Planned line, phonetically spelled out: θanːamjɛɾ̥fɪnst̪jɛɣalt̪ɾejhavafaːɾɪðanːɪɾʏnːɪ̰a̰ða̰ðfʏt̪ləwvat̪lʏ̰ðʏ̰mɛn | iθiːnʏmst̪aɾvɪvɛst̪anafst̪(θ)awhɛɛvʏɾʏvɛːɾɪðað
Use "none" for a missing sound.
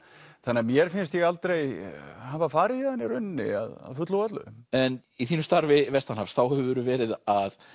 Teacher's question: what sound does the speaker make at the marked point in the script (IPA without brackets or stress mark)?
θ